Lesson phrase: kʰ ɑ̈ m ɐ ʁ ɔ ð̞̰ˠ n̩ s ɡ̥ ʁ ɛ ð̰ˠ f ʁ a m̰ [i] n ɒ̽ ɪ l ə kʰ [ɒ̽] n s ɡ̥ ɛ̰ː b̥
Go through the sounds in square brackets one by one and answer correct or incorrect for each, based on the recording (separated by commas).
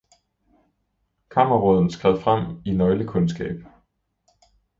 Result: correct, incorrect